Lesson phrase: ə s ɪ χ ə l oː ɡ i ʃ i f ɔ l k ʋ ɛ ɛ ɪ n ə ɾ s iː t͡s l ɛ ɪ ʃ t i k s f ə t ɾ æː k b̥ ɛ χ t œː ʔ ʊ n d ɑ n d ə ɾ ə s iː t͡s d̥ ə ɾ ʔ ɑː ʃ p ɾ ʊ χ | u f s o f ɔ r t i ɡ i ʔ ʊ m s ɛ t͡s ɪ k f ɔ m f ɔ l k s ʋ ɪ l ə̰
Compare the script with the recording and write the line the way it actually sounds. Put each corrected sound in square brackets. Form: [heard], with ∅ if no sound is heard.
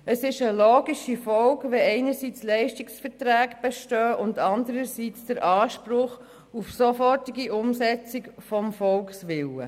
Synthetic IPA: ə s ɪ [ʃ] ə l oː ɡ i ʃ i f ɔ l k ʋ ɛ ɛ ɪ n ə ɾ s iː t͡s l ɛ ɪ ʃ t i k s f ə t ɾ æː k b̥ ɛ [ʃ] t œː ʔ ʊ n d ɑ n d ə ɾ ə s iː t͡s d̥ ə ɾ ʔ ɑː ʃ p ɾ ʊ χ | u f s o f ɔ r t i ɡ i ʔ ʊ m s ɛ t͡s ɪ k f ɔ m f ɔ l k s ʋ ɪ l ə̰

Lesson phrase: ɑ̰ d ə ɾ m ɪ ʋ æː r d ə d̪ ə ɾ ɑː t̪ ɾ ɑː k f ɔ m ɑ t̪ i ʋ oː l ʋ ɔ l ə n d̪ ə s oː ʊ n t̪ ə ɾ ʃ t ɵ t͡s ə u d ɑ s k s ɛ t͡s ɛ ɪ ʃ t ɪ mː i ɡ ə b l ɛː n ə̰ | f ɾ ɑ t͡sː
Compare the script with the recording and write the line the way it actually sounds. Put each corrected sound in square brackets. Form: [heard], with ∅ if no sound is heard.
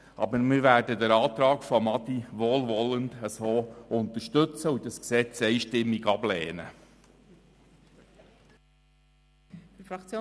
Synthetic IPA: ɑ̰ [b] ə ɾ m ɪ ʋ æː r d ə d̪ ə ɾ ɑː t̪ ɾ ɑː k f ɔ m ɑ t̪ i ʋ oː l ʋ ɔ l ə n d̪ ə s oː ʊ n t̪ ə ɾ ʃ t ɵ t͡s ə u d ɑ s k s ɛ t͡s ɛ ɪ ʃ t ɪ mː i ɡ [ɑ] b l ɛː n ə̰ | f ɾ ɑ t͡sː

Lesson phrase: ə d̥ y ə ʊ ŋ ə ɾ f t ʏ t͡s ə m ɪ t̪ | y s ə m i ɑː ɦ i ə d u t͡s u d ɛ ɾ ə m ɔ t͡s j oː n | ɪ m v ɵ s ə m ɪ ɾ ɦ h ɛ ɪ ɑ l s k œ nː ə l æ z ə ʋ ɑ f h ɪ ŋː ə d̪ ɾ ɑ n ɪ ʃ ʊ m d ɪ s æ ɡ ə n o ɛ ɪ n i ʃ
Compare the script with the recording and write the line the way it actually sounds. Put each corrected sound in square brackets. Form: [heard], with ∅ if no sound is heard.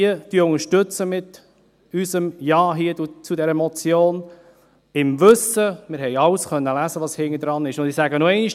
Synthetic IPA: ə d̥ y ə ʊ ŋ ə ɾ [ʃ] t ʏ t͡s ə m ɪ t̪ | y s ə m [j] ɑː ɦ i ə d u t͡s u d ɛ ɾ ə m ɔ t͡s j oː n | ɪ m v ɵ s ə m ɪ ɾ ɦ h ɛ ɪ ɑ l s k œ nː ə l æ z ə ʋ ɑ [s] h ɪ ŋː ə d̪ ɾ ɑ n ɪ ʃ ʊ [n] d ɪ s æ ɡ ə n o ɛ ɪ n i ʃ

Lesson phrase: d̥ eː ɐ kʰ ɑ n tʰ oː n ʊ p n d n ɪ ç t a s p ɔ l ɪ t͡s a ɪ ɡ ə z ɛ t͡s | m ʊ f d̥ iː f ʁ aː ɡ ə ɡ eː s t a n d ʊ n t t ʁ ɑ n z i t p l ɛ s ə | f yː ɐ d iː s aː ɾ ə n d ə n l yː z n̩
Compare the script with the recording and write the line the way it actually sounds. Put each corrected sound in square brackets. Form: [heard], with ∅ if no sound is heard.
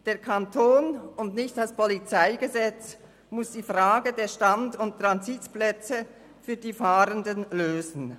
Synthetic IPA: d̥ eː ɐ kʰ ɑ n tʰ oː n ʊ [∅] n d n ɪ ç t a s p ɔ l [i] t͡s a ɪ ɡ ə z ɛ t͡s | m ʊ [s] d̥ iː f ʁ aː ɡ ə [d] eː [ʃ] t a n d ʊ n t t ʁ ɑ n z i t p l ɛ [t͡s] ə | f yː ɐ d iː [f] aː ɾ ə n d ə n l [øː] z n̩

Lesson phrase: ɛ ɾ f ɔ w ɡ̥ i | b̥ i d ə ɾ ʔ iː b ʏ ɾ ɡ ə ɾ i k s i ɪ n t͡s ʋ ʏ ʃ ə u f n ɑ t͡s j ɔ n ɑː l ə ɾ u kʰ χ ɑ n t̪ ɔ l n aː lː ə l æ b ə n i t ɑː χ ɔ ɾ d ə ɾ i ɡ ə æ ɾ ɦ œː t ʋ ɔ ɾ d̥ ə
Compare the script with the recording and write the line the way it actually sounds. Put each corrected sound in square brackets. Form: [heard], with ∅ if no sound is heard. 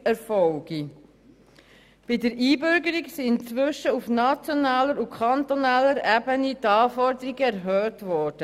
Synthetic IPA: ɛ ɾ f ɔ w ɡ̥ i | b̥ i d ə ɾ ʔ iː b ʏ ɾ ɡ ə ɾ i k s i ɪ n t͡s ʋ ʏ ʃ ə u f n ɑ t͡s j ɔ n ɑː l ə ɾ u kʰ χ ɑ n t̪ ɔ [∅] n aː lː ə [ɾ] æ b ə n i t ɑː [f] ɔ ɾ d ə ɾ i ɡ ə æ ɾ ɦ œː t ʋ ɔ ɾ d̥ ə

